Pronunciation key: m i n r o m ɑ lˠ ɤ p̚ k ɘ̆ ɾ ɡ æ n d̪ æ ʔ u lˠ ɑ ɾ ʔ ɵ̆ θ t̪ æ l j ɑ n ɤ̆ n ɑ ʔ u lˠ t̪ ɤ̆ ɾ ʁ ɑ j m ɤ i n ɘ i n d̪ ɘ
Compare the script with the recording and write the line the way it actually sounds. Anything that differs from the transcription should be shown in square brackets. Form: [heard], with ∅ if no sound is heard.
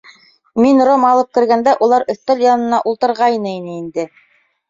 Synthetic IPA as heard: m i n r o m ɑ lˠ ɤ p̚ k ɘ̆ ɾ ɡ æ n d̪ æ ʔ u lˠ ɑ ɾ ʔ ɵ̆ θ t̪ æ l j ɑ n ɤ̆ n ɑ ʔ u lˠ t̪ ɤ̆ ɾ ʁ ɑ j [n] ɤ i n ɘ i n d̪ ɘ